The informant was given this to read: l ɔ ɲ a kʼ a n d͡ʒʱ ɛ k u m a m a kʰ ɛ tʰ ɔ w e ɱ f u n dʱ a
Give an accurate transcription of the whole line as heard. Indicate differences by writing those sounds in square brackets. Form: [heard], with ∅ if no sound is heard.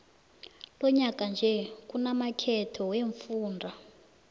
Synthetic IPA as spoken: l ɔ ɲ a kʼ a n d͡ʒʱ ɛ k u [n] a m a kʰ ɛ tʰ ɔ w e ɱ f [uː] n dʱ a